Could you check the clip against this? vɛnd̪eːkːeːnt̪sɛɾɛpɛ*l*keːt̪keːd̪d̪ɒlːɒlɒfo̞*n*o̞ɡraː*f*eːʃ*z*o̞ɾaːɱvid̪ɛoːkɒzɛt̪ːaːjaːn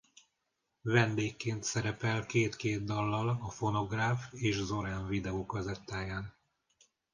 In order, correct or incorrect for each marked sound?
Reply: correct, correct, correct, correct

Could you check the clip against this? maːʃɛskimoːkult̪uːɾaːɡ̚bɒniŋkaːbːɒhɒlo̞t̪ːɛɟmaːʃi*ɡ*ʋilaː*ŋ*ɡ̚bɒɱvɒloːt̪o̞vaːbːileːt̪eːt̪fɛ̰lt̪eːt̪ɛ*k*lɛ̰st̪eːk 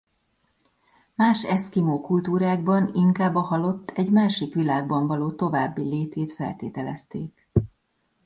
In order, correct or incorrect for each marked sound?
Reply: incorrect, incorrect, incorrect

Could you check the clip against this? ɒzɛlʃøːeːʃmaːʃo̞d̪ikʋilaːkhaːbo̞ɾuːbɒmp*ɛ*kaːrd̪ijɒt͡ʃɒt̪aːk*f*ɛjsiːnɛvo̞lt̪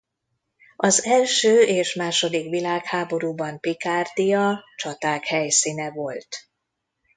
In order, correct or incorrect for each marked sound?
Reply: incorrect, incorrect

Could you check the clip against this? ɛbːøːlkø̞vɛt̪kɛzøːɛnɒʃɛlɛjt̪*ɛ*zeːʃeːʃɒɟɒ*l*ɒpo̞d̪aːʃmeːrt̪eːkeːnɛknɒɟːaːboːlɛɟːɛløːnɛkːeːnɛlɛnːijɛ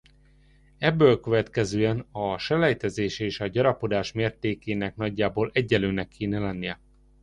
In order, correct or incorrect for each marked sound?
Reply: correct, incorrect

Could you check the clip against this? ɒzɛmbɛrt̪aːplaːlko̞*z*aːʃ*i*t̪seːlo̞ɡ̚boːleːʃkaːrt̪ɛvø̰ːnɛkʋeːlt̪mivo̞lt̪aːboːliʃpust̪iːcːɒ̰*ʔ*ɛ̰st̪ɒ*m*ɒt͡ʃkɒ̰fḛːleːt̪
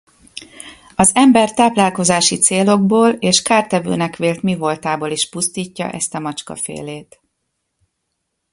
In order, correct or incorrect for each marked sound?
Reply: correct, correct, correct, correct

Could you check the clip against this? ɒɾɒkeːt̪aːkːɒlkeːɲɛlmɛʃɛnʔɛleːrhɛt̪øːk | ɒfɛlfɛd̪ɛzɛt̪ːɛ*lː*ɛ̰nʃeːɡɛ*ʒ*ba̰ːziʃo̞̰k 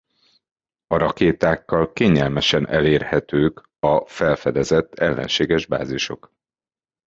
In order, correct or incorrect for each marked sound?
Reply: correct, correct

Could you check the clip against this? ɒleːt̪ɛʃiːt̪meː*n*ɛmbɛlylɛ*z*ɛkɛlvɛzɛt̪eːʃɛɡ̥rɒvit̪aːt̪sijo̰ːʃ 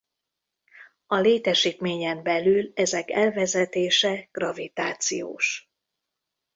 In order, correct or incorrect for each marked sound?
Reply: incorrect, correct

